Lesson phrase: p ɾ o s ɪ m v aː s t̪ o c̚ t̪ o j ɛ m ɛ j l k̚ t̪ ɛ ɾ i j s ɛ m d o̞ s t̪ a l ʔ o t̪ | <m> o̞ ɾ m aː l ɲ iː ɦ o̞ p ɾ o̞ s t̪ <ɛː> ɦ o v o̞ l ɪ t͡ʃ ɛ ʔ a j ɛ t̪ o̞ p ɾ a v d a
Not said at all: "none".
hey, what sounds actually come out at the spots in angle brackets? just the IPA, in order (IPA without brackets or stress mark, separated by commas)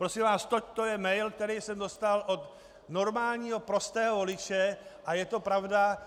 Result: n, ɛː